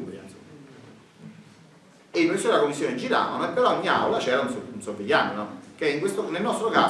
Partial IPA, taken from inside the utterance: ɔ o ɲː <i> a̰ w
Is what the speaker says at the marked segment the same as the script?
yes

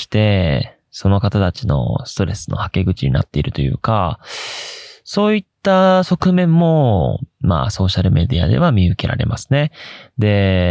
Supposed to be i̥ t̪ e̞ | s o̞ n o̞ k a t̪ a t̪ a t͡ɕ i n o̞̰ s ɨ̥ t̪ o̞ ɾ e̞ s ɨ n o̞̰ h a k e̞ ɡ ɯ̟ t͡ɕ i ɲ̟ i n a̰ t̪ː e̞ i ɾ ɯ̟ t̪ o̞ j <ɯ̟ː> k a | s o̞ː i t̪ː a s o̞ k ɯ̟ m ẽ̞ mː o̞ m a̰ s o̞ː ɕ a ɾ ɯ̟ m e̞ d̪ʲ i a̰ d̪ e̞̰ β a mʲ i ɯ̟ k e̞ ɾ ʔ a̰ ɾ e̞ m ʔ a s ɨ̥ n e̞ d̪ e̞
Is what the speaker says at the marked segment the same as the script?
yes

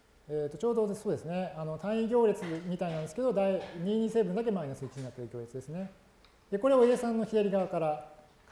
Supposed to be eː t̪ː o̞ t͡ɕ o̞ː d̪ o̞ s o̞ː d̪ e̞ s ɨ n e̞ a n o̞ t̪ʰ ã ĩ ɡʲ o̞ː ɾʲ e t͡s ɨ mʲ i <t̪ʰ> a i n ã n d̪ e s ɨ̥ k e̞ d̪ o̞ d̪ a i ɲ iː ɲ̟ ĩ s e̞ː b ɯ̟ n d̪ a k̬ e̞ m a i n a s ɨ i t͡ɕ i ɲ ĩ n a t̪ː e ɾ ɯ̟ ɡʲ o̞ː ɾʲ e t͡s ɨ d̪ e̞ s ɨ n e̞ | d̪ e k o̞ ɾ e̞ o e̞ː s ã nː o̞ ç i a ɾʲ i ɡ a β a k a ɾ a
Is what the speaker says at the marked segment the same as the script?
no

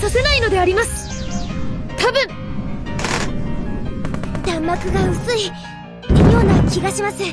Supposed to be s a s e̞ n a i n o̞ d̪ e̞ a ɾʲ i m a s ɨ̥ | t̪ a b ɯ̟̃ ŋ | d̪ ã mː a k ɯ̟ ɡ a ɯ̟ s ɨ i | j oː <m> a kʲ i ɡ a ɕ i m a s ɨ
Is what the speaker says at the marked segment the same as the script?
no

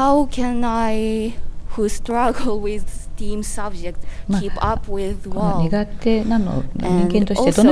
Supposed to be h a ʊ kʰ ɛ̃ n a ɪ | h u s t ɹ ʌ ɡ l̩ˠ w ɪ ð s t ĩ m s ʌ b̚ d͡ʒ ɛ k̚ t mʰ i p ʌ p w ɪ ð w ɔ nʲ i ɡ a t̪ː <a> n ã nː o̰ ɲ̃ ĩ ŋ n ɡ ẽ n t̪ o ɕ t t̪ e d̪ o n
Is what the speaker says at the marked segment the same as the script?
no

